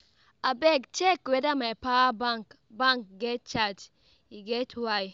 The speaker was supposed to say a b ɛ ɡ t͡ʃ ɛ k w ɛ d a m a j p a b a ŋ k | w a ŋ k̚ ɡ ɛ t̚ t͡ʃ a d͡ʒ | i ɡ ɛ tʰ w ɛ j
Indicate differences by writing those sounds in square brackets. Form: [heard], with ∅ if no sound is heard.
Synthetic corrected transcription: a b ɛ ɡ t͡ʃ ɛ k w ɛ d a m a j p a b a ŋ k | [b] a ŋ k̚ ɡ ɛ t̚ t͡ʃ a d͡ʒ | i ɡ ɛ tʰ w [a] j